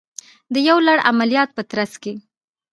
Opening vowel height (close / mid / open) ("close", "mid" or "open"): mid